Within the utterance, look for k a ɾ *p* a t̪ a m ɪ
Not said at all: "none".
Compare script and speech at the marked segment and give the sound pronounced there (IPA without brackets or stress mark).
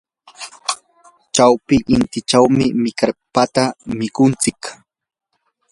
p